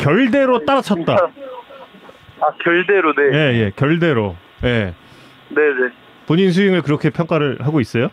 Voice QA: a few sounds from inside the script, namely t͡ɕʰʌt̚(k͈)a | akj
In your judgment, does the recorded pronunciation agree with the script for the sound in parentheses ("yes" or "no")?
no